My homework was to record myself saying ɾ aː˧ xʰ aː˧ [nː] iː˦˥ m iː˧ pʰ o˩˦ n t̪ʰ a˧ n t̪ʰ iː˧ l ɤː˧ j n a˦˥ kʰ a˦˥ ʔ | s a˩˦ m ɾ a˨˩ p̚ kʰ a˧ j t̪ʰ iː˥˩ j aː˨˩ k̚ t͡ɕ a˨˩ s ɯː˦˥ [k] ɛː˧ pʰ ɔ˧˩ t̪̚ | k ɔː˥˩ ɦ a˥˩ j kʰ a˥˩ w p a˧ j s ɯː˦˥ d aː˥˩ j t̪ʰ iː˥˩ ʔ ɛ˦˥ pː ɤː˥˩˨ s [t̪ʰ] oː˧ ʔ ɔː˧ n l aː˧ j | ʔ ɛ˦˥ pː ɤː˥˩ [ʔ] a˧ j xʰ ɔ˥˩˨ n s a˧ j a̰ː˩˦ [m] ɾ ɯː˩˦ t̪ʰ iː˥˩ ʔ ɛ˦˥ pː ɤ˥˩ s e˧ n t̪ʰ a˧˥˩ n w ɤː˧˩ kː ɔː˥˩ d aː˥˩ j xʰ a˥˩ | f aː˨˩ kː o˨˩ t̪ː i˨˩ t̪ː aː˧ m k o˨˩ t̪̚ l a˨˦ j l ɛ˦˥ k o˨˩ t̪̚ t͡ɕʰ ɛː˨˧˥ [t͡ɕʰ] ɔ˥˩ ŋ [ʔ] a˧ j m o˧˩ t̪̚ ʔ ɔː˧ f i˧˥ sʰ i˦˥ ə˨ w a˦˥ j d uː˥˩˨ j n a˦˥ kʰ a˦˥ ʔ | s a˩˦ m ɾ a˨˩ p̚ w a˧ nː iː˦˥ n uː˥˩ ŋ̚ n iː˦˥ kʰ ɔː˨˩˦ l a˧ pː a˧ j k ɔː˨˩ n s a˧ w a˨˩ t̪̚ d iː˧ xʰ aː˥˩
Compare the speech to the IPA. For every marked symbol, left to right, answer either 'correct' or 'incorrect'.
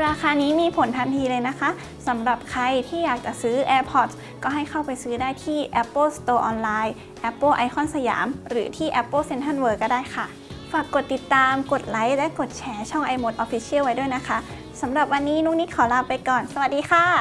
incorrect, incorrect, incorrect, correct, correct, correct, correct

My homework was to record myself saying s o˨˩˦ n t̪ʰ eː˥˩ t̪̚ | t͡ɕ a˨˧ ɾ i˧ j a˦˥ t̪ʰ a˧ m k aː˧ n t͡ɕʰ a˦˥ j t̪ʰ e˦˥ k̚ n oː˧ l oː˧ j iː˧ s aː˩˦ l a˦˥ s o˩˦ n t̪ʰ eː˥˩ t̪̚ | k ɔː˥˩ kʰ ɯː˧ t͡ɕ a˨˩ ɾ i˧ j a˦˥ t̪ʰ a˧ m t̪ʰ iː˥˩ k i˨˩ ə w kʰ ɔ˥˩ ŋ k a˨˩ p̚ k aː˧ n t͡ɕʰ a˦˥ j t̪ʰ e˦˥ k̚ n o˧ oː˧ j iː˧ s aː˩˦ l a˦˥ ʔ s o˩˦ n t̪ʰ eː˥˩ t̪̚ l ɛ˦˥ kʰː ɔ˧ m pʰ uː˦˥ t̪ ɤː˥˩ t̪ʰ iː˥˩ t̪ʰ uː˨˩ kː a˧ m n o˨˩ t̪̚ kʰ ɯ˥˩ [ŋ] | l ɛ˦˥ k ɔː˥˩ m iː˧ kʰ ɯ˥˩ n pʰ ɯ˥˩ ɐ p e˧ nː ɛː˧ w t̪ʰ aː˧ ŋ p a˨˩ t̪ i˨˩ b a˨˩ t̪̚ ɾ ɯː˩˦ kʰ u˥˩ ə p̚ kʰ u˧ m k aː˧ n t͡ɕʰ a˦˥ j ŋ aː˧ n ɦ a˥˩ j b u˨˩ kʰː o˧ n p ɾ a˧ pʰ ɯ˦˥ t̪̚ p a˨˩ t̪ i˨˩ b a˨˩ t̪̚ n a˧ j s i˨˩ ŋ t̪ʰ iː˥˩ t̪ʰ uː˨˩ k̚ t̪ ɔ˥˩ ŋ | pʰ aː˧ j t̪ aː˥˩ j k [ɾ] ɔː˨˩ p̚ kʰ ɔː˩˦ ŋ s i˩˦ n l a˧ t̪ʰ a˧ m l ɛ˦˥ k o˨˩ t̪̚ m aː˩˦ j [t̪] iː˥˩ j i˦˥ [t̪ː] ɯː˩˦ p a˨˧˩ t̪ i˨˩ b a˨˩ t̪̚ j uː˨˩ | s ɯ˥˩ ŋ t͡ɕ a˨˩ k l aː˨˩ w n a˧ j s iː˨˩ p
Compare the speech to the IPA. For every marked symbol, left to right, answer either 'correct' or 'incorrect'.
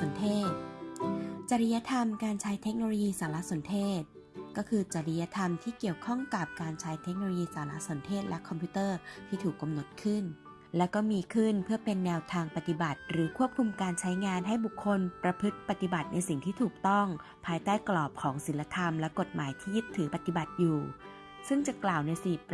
incorrect, incorrect, incorrect, incorrect

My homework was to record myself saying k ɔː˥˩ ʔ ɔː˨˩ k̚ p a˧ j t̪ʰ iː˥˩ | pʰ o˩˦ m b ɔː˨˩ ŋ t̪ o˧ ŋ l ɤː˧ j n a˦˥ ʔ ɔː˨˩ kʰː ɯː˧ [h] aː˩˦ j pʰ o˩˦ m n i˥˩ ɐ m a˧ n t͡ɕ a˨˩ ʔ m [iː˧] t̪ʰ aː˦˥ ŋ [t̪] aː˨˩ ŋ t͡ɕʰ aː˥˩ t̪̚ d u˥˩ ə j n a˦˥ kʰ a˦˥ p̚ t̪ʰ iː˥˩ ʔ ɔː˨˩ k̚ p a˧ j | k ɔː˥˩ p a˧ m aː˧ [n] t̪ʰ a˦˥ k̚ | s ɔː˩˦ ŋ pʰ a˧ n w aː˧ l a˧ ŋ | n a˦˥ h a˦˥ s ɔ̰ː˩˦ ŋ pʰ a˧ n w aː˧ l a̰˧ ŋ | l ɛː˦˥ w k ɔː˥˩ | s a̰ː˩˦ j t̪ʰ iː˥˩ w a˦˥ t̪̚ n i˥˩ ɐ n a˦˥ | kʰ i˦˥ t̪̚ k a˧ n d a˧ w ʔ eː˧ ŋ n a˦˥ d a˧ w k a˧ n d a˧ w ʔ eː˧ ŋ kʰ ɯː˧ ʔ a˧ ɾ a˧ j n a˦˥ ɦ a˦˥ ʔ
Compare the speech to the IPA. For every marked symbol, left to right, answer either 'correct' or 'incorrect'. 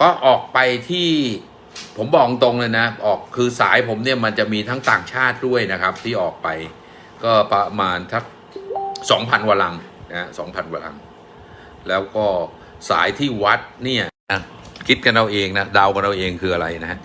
incorrect, correct, correct, correct

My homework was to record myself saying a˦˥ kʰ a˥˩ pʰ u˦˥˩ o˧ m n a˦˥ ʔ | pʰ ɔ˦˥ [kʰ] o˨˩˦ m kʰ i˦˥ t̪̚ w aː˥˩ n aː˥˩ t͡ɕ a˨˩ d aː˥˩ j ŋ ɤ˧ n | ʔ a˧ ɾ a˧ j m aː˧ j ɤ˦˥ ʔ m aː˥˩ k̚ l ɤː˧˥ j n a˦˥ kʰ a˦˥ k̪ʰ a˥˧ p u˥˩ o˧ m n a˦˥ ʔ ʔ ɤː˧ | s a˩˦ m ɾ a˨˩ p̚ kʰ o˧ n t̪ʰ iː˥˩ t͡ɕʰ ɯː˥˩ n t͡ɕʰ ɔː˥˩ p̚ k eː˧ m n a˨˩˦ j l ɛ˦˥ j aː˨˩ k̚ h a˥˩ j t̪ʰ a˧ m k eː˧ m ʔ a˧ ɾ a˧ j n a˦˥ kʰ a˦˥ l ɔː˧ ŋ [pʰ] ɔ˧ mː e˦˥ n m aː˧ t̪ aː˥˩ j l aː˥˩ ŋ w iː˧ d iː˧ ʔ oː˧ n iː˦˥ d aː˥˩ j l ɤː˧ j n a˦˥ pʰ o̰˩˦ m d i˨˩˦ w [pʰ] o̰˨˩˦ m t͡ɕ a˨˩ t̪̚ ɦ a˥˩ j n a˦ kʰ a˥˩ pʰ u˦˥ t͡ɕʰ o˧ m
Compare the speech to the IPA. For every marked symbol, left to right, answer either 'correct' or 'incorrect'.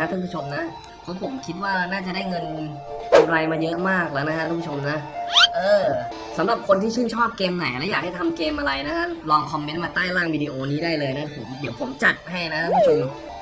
incorrect, incorrect, correct

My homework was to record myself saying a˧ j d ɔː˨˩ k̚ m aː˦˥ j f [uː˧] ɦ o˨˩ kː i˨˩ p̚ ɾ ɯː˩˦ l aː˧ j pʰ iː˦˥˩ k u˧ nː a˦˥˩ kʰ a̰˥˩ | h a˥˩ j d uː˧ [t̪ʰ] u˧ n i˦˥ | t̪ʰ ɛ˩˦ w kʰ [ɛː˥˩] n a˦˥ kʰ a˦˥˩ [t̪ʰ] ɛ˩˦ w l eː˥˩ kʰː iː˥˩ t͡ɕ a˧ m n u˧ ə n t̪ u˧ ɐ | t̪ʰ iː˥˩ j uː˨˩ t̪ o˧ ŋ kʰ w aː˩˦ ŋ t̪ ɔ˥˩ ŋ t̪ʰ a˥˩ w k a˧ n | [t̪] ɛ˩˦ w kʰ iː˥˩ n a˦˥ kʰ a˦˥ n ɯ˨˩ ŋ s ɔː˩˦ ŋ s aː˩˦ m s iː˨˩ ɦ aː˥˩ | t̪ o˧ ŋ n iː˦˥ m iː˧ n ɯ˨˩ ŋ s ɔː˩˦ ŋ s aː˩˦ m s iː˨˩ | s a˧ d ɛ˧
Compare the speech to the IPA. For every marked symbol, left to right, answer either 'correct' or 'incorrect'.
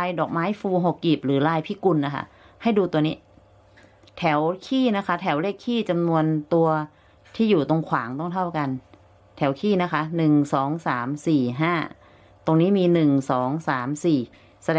correct, incorrect, incorrect, correct, incorrect

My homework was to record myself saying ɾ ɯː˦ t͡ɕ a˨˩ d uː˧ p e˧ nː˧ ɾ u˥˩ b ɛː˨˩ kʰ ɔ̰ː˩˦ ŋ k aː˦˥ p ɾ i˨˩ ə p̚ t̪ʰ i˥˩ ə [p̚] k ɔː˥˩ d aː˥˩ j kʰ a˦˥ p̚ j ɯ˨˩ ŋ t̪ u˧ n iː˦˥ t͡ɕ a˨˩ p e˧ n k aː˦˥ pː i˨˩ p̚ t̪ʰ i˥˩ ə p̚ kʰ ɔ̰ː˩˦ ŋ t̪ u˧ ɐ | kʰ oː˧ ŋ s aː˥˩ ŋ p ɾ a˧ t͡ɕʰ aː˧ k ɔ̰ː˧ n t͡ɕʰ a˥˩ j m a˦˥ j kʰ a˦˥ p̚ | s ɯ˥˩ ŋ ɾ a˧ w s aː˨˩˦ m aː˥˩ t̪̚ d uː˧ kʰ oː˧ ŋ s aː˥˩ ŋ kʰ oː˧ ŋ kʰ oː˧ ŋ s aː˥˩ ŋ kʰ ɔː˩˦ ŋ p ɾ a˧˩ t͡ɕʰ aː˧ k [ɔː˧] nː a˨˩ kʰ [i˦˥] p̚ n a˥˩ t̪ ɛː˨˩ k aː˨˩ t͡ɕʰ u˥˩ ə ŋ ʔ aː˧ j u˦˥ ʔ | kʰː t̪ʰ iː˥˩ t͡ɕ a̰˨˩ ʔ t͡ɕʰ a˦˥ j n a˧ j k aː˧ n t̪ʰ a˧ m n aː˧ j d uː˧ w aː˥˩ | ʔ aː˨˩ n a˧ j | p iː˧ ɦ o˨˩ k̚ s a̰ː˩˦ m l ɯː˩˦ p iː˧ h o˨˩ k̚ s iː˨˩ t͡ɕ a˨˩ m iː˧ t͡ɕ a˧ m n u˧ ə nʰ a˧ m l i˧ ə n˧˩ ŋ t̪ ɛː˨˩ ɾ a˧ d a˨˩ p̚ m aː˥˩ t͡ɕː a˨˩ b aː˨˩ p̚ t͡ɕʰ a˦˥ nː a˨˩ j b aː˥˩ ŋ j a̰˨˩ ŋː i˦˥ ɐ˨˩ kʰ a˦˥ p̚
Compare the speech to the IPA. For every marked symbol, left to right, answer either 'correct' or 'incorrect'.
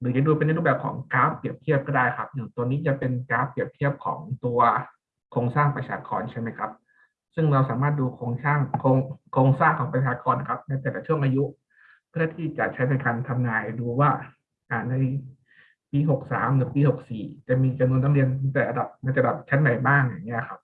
correct, correct, incorrect

